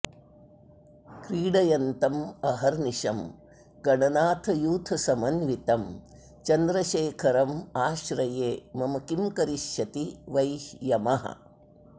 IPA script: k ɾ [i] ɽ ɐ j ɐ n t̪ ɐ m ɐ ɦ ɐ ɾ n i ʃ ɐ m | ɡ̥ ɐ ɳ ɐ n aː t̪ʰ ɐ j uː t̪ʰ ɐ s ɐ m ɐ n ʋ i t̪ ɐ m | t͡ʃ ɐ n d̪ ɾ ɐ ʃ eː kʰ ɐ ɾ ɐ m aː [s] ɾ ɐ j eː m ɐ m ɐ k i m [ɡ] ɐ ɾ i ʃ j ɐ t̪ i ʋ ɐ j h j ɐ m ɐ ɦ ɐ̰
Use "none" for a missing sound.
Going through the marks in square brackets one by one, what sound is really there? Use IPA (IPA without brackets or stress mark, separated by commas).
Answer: iː, ʃ, k